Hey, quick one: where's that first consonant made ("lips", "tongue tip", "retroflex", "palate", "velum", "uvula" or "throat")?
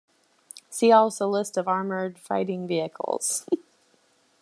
tongue tip